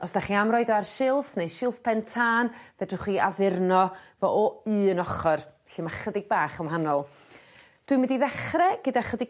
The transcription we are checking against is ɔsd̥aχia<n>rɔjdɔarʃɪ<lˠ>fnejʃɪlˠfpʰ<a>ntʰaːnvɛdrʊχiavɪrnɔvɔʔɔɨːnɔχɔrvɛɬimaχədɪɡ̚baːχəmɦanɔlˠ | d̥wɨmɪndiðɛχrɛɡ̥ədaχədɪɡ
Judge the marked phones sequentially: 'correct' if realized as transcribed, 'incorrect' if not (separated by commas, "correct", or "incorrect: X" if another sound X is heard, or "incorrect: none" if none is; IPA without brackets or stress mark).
incorrect: m, correct, incorrect: ɛ